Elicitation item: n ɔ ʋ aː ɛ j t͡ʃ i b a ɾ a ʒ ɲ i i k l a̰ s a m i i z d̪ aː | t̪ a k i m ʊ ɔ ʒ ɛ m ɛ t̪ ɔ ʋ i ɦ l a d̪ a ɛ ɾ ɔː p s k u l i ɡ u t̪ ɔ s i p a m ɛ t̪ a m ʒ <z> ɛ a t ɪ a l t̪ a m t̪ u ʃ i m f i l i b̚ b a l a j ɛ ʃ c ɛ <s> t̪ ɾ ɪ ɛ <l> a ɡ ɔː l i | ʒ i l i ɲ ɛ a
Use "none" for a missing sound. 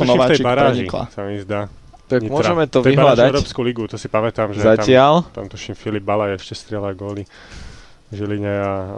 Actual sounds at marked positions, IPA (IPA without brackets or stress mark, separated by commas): z, s, l